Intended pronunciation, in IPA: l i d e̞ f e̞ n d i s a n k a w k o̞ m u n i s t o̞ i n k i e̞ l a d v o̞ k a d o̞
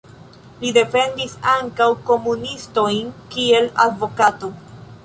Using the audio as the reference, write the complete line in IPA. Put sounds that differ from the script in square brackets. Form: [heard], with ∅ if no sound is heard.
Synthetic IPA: l i d e̞ f e̞ n d i s a [ŋ] k a w k o̞ m u n i s t o̞ [j] n k i e̞ l a d v o̞ k a [t] o̞